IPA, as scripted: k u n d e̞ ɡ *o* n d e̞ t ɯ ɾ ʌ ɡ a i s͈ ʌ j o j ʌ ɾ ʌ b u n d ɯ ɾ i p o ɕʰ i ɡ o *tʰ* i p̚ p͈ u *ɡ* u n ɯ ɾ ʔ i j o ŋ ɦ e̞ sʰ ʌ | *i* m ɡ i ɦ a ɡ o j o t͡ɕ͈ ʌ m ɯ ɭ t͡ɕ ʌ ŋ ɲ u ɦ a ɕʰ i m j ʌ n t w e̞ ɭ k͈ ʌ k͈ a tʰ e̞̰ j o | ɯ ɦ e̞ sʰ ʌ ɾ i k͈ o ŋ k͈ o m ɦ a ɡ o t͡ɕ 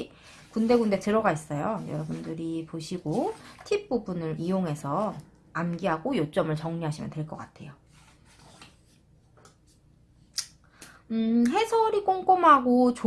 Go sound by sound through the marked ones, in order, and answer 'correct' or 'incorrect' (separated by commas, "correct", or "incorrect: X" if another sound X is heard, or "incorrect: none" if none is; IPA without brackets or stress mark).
incorrect: u, correct, incorrect: b, incorrect: a